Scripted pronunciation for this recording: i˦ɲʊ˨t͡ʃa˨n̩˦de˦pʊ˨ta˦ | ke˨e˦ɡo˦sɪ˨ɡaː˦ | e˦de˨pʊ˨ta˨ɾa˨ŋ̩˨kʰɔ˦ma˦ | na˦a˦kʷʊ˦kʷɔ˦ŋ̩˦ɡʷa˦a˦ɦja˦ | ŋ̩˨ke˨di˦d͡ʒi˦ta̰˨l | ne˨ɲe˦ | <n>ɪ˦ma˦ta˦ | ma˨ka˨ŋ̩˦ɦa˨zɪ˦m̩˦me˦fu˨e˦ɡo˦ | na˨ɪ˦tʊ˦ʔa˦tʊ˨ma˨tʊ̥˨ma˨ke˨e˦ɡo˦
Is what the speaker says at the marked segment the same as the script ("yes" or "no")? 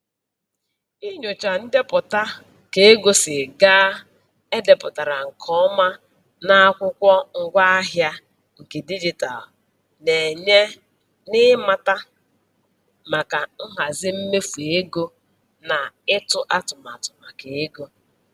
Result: yes